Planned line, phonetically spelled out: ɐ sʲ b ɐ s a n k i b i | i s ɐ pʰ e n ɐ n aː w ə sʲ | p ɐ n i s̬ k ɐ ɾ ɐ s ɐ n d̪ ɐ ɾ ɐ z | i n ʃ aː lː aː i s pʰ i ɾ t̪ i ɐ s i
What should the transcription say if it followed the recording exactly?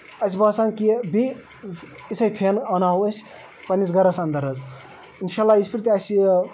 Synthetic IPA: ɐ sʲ b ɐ s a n k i b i | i s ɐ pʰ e n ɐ n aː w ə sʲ | p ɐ n i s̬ ɡ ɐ ɾ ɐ s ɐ n d̪ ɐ ɾ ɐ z | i n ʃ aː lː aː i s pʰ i ɾ t̪ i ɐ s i

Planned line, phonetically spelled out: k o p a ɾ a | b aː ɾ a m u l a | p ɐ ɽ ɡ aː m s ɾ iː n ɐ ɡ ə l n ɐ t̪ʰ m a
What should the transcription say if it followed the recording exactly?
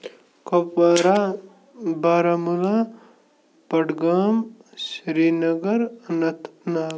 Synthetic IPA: k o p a ɾ a | b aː ɾ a m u l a | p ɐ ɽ ɡ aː m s ɾ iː n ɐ ɡ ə ɾ n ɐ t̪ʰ n a

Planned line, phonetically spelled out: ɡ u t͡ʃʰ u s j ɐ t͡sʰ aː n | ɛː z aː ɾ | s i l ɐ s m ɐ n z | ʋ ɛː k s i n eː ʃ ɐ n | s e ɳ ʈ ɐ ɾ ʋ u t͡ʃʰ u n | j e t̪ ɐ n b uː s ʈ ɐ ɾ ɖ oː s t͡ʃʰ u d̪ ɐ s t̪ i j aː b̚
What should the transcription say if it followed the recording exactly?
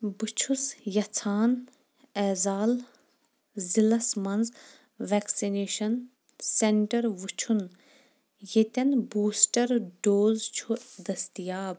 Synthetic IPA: b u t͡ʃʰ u s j ɐ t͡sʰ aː n | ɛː z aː l | z i l ɐ s m ɐ n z | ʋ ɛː k s i n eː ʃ ɐ n | s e ɳ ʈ ɐ ɾ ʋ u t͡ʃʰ u n | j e t̪ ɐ n b uː s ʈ ɐ ɾ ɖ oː z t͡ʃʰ u d̪ ɐ s t̪ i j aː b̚

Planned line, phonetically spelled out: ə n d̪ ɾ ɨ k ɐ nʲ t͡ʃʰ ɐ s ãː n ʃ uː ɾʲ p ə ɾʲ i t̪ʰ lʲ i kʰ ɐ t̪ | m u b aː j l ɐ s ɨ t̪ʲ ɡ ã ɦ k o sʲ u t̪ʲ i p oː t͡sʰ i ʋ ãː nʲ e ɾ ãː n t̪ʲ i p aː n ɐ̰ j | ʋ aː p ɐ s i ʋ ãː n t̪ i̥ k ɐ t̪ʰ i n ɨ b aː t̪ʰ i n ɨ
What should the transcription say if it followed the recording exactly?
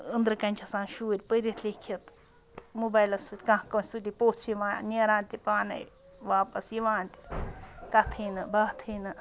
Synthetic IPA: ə n d̪ ɾ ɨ k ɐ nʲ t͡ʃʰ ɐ s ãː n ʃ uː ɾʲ p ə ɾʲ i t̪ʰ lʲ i kʰ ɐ t̪ | m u b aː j l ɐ s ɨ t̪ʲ k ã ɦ k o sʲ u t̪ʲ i p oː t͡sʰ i ʋ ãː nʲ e ɾ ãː n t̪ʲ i p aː n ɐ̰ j | ʋ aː p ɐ s i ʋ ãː n t̪ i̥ k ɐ t̪ʰ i n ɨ b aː t̪ʰ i n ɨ

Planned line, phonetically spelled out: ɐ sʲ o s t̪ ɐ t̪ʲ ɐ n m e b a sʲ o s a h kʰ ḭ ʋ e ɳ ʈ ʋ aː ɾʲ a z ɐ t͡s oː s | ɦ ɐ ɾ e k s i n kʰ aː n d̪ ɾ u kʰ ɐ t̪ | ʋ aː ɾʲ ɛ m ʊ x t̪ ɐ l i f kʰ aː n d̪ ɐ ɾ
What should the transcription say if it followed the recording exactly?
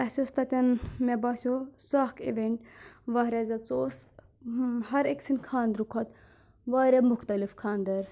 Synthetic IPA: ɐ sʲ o s t̪ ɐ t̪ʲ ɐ n m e b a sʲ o s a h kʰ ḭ ʋ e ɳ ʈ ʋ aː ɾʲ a z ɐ t͡s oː s | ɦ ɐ ɾ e k s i n kʰ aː n d̪ ɾ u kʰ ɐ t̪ | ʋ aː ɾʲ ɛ m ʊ x t̪ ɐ l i f kʰ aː n d̪ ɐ ɾ

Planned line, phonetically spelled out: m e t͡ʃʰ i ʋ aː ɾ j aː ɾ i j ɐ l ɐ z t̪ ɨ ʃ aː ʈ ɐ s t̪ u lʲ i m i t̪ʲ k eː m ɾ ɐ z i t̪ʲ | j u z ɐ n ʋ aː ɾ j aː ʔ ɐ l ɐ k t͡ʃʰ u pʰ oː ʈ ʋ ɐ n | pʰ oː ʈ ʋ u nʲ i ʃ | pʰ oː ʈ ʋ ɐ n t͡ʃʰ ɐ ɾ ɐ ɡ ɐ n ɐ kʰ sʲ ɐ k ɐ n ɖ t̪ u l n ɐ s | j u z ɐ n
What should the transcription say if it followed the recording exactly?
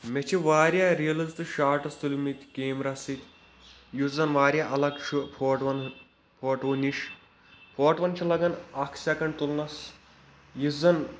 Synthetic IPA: m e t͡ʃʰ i ʋ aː ɾ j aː ɾ i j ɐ l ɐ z t̪ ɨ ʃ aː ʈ ɐ s t̪ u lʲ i m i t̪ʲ k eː m ɾ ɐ s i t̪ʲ | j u z ɐ n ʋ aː ɾ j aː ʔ ɐ l ɐ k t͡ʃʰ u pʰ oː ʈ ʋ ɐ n | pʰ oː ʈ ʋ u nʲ i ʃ | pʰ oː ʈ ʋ ɐ n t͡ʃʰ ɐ l ɐ ɡ ɐ n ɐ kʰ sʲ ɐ k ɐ ɳ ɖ t̪ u l n ɐ s | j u z ɐ n

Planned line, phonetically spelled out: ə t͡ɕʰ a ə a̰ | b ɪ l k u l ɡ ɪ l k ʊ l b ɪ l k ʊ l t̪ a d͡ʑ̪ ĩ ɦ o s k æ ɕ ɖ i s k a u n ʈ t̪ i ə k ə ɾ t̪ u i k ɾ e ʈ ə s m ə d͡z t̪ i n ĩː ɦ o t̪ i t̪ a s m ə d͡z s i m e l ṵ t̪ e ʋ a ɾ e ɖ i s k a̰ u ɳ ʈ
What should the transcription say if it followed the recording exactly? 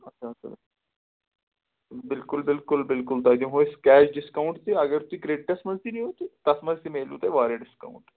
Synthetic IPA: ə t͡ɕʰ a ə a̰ | b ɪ l k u l b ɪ l k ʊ l b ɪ l k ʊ l t̪ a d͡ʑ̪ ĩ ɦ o s k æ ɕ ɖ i s k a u ɳ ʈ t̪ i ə ɡ ə ɾ t̪ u i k ɾ e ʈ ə s m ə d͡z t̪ i n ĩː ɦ o t̪ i t̪ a s m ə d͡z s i m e l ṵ t̪ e ʋ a ɾ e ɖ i s k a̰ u ɳ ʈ

